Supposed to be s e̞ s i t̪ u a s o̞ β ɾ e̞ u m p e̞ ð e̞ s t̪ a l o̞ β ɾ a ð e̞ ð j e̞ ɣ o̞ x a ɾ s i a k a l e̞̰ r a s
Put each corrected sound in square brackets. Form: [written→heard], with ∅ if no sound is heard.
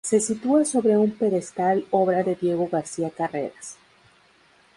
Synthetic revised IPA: s e̞ s i t̪ u a s o̞ β ɾ e̞ u m p e̞ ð e̞ s t̪ a l o̞ β ɾ a ð e̞ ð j e̞ ɣ o̞ [x→ɣ] a ɾ s i a k a [l→r] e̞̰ [r→ɾ] a s